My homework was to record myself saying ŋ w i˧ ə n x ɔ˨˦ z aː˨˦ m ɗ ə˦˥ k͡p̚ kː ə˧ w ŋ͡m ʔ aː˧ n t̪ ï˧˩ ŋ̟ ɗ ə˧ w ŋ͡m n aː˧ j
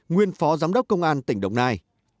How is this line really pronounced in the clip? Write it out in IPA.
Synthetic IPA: ŋ w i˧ ə n f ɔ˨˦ z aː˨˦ m ɗ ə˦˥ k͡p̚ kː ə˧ w ŋ͡m ʔ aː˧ n t̪ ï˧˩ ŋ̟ ɗ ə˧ w ŋ͡m n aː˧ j